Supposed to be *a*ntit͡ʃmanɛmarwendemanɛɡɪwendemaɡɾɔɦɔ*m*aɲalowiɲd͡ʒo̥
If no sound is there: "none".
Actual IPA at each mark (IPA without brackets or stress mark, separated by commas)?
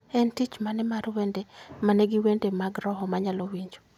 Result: ɛ, m